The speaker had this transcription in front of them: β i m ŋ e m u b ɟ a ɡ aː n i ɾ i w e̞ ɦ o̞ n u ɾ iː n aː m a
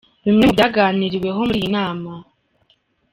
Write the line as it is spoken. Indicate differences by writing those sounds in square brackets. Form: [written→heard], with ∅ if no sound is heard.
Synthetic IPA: β i m ŋ e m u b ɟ a ɡ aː n i ɾ i w e̞ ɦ o̞ [n→m] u ɾ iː n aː m a